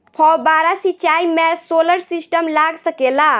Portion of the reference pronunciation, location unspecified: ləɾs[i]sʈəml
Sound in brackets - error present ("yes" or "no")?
no